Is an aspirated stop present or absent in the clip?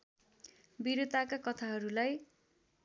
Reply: present